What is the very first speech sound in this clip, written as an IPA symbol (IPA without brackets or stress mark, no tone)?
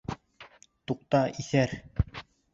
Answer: t̪